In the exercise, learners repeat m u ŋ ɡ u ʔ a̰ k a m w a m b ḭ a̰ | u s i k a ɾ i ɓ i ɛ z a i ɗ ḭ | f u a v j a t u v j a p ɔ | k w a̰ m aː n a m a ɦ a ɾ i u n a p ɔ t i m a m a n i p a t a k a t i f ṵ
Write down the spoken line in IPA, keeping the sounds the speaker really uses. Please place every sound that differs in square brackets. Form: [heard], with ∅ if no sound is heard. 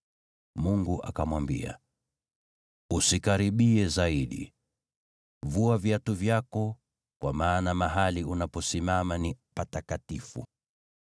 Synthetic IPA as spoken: m u ŋ ɡ u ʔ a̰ k a m w a m b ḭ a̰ | u s i k a ɾ i ɓ i ɛ z a i ɗ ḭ | [v] u a v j a t u v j a [k] ɔ | k w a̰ m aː n a m a ɦ a [l] i u n a p ɔ [s] i m a m a n i p a t a k a t i f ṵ